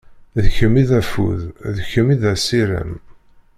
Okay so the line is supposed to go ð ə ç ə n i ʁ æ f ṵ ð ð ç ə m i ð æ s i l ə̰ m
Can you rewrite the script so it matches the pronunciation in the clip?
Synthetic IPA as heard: ð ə ç ə m i ð æ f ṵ ð ð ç ə m i ð æ s i ɾ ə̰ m